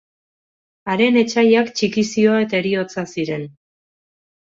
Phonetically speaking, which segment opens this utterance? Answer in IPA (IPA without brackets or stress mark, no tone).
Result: a